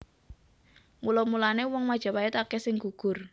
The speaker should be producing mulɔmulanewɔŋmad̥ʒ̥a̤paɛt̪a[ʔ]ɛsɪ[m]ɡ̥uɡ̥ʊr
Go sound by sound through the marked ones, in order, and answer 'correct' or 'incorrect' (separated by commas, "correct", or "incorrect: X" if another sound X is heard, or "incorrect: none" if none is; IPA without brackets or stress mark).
incorrect: k, incorrect: ŋ